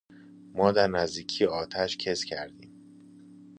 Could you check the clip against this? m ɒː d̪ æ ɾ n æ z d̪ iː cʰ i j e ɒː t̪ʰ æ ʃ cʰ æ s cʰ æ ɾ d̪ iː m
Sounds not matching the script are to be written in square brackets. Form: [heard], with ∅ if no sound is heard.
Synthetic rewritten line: m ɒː d̪ æ ɾ n æ z d̪ iː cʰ i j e ɒː t̪ʰ æ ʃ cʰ [e] s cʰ æ ɾ d̪ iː m

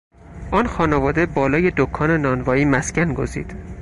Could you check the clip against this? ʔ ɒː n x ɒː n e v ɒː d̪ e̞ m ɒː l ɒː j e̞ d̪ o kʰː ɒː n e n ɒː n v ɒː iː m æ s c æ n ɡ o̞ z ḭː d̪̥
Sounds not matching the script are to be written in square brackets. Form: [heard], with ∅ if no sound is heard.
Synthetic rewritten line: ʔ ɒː n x ɒː n e v ɒː d̪ e̞ [b] ɒː l ɒː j e̞ d̪ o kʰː ɒː n e n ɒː n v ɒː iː m æ s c æ n ɡ o̞ z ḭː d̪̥

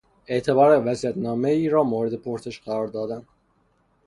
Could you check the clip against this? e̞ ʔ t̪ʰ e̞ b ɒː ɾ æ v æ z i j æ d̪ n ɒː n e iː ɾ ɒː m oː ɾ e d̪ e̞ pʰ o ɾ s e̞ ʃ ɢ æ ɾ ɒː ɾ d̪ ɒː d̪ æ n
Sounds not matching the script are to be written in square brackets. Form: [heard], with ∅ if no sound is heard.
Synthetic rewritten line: e̞ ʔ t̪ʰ e̞ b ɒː ɾ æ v æ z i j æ [t̪] n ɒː [m] e iː ɾ ɒː m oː ɾ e d̪ e̞ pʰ o ɾ s e̞ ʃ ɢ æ ɾ ɒː ɾ d̪ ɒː d̪ æ n

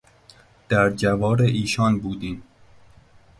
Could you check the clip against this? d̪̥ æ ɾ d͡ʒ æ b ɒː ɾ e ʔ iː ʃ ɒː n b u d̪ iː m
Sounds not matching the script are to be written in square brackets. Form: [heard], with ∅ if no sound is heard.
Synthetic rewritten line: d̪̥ æ ɾ d͡ʒ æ [v] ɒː ɾ e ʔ iː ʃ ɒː n b [uː] d̪ iː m

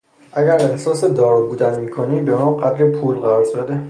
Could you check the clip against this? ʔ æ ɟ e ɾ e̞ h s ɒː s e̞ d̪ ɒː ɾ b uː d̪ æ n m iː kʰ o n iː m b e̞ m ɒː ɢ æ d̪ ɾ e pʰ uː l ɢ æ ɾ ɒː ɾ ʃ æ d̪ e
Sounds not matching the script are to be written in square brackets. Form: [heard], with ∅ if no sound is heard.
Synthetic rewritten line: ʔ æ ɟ [æ] ɾ e̞ h s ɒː s e̞ d̪ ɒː ɾ b uː d̪ æ n m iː kʰ o n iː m b e̞ m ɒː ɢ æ d̪ ɾ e pʰ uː l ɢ æ ɾ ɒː ɾ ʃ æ d̪ e

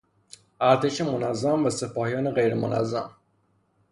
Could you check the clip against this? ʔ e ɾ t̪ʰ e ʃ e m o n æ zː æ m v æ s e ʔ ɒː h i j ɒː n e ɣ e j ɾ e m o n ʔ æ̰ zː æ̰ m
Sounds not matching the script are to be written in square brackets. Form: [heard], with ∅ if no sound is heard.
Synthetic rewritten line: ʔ [æ] ɾ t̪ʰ e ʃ e m o n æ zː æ m v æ s e [p] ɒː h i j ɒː n e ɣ e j ɾ e m o n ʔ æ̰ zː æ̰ m

